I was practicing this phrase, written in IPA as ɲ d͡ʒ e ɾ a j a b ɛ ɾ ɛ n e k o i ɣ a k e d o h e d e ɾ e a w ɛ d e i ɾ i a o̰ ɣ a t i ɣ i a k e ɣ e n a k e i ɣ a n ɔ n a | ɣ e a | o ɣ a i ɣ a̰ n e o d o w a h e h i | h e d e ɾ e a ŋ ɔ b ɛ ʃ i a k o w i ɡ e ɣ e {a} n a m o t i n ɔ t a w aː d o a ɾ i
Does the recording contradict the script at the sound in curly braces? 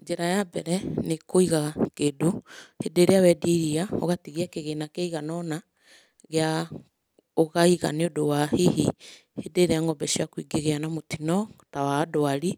no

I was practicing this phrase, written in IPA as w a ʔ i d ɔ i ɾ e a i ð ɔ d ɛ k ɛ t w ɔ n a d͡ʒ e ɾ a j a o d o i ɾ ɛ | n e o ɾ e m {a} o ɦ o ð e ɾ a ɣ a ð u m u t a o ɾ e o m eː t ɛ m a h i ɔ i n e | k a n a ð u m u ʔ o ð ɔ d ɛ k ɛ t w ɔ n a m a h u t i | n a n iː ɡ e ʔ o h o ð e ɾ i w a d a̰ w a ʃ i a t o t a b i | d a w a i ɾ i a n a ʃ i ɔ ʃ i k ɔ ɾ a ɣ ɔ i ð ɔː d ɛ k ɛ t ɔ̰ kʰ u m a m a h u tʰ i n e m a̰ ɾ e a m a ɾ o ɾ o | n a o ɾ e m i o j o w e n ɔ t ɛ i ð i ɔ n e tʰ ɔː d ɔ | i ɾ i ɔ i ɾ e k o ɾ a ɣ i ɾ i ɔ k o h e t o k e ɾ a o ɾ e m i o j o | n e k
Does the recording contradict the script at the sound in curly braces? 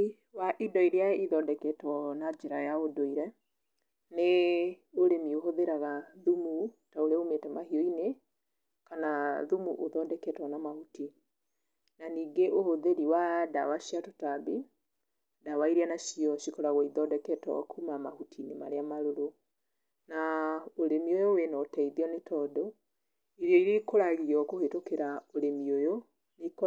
yes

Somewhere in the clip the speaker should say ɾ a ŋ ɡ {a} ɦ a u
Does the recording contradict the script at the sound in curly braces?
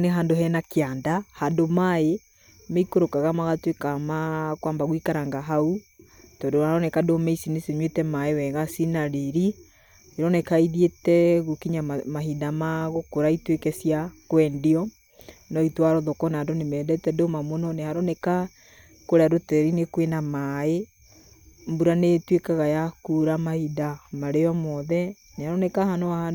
no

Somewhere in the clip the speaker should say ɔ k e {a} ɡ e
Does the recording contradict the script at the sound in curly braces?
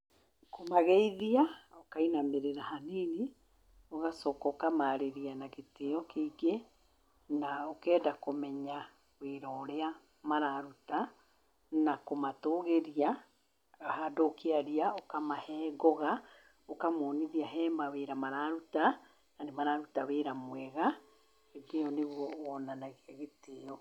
yes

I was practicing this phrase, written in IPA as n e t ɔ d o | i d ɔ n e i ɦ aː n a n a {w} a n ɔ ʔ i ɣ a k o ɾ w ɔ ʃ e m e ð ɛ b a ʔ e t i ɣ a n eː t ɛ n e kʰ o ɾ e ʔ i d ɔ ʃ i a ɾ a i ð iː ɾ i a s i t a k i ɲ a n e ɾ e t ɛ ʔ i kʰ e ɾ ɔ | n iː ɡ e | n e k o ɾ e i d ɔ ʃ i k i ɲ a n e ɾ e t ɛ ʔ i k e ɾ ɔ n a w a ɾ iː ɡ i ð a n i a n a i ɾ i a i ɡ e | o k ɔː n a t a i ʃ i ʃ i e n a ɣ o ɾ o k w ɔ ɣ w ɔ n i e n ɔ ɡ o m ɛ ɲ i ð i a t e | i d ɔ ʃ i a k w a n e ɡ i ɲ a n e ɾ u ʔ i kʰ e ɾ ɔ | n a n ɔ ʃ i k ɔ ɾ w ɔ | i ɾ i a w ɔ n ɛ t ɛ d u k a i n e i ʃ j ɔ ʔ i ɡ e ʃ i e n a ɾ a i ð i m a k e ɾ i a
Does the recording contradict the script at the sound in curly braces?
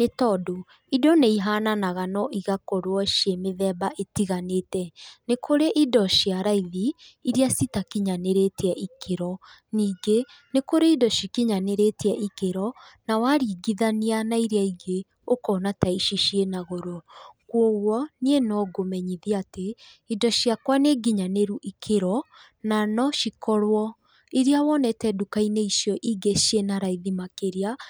yes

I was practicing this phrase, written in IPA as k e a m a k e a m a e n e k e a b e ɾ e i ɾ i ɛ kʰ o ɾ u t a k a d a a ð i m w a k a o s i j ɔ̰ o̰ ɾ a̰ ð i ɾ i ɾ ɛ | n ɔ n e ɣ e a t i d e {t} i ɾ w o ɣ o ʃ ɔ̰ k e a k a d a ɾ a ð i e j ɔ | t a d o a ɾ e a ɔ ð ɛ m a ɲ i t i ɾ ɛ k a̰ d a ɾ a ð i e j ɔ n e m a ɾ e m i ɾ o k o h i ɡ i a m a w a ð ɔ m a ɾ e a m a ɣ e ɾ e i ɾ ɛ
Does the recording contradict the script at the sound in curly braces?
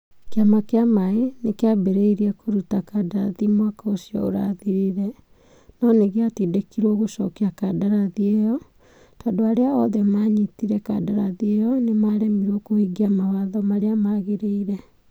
yes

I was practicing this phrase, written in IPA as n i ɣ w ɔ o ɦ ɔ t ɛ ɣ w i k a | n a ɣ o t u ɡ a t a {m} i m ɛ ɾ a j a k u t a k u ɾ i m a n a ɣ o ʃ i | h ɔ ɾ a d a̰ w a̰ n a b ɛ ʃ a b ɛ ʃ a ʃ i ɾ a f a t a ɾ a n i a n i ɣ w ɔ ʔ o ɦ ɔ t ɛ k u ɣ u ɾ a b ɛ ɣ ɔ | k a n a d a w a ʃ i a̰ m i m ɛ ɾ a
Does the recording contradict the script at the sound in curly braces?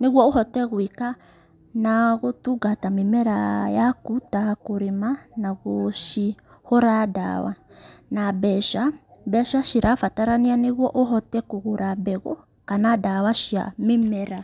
no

